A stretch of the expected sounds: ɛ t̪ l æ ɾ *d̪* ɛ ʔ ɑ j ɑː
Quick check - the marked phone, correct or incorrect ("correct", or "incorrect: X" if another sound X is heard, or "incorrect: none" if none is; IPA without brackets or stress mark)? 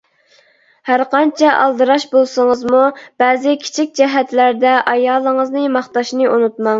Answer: correct